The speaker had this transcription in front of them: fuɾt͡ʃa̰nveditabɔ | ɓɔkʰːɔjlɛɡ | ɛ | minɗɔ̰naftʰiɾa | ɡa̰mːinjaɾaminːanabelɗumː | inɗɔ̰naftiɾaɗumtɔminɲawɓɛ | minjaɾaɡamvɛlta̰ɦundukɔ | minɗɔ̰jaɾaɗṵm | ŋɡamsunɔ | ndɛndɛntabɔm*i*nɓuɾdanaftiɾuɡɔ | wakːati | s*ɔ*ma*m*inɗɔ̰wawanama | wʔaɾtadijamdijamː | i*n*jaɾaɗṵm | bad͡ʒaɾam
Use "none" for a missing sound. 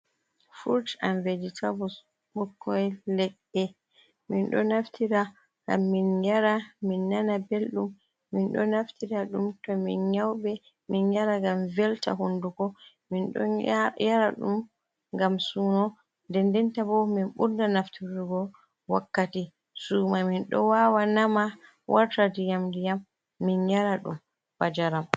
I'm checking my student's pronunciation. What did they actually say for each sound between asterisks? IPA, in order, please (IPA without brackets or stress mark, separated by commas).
i, u, m, n